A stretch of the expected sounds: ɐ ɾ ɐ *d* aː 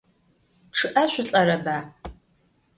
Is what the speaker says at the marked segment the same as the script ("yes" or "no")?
no